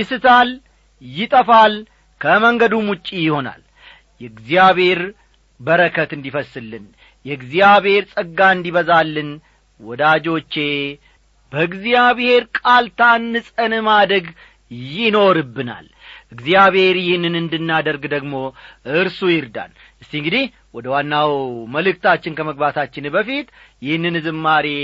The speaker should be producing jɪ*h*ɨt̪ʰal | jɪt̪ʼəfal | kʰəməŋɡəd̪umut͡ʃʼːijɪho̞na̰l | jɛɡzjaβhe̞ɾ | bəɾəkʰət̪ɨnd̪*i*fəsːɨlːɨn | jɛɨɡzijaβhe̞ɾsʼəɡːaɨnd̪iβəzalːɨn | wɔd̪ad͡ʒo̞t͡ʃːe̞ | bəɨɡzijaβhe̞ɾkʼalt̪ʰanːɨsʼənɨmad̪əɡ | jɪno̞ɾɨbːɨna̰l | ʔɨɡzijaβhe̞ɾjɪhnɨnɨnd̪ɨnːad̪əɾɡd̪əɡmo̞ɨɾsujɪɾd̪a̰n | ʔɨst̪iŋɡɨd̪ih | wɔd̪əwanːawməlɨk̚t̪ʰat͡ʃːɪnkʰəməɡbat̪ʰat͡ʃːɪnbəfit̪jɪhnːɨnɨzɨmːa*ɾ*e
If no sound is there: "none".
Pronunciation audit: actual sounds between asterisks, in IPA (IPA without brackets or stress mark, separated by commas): s, i, ɾ